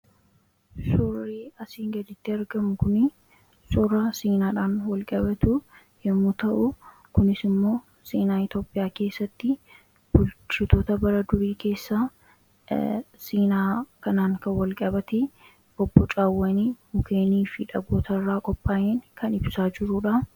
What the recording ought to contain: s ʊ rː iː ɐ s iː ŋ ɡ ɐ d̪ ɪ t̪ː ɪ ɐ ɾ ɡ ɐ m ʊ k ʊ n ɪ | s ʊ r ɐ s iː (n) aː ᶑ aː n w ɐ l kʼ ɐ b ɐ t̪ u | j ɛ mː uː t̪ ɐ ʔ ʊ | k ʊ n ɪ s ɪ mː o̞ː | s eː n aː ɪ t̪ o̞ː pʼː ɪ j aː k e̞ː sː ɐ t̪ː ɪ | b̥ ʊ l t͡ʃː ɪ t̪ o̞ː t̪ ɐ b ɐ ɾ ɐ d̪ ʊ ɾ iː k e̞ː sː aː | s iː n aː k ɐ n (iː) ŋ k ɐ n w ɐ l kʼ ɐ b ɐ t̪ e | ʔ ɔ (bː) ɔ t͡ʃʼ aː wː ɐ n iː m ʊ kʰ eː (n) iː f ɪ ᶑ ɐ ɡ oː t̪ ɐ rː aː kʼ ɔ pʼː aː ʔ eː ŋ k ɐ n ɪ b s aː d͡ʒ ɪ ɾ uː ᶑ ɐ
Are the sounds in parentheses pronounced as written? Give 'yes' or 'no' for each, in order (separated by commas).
yes, no, yes, yes